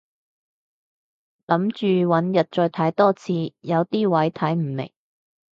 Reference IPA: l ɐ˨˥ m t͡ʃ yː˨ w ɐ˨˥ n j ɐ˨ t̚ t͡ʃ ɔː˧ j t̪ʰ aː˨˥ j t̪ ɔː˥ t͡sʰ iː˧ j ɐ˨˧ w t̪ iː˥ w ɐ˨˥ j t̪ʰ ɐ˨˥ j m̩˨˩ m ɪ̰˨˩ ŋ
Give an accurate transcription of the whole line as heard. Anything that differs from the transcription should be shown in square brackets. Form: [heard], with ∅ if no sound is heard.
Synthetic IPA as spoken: l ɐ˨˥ m t͡ʃ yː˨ w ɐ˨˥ n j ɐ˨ t̚ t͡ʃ ɔː˧ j t̪ʰ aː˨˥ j t̪ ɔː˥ t͡sʰ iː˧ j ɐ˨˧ w t̪ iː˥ w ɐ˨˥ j t̪ʰ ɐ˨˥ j m̩˨˩ m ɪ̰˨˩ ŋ